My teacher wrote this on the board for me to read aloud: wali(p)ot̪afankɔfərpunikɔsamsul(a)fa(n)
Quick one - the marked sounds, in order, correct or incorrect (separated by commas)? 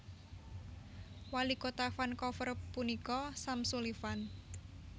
incorrect, incorrect, correct